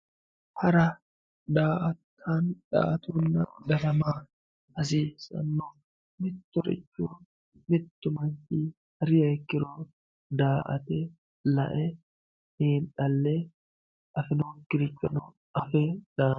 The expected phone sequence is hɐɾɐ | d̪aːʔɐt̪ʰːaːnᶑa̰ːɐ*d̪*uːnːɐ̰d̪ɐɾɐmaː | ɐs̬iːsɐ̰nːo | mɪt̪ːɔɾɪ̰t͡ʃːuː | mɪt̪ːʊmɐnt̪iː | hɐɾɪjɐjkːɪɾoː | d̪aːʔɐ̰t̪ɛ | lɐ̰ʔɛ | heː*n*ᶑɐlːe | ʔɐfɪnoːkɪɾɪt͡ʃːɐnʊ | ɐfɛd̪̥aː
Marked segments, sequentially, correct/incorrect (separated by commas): incorrect, correct